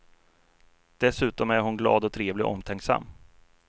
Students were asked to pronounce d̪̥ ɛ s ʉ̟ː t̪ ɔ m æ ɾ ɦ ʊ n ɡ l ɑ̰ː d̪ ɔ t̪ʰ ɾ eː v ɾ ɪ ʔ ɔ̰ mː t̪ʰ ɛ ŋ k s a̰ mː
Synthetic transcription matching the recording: d̪̥ ɛ s ʉ̟ː t̪ ɔ m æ ɾ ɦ ʊ n ɡ l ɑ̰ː d̪ ɔ t̪ʰ ɾ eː v l ɪ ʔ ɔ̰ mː t̪ʰ ɛ ŋ k s a̰ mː